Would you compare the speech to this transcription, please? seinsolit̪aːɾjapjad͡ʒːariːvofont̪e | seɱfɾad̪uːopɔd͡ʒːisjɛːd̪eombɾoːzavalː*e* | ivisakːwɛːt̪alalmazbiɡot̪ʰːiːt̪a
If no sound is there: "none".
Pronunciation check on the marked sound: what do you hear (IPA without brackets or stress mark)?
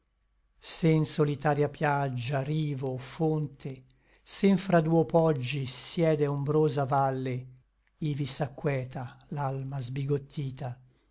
e